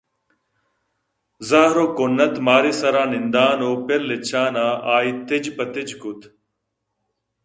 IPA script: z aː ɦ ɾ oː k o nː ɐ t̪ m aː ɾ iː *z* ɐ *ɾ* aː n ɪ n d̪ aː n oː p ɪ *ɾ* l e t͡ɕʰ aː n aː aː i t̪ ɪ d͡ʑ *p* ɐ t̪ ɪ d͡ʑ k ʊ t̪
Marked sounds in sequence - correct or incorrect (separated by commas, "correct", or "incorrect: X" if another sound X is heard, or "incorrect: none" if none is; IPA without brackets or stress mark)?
incorrect: s, correct, correct, correct